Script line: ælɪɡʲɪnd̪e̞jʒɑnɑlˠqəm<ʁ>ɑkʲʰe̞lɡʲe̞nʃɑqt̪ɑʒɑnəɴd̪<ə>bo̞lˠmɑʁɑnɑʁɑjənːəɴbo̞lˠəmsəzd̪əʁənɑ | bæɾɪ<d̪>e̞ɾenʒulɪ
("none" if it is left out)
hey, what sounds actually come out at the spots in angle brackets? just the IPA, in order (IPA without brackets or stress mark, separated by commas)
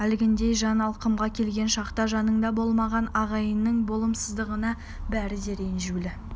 ʁ, ɑ, d̪